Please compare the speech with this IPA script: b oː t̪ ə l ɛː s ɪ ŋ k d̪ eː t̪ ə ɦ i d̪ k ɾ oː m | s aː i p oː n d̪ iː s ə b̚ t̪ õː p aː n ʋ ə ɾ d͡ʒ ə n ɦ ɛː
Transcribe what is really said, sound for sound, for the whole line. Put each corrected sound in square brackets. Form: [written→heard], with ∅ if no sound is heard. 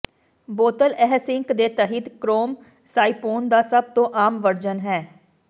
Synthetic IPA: b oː t̪ ə l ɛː s ɪ ŋ k d̪ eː t̪ ə ɦ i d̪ k ɾ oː m | s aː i p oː n d̪ [iː→aː] s ə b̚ t̪ õː [p→ʔ] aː [n→m] ʋ ə ɾ d͡ʒ ə n ɦ ɛː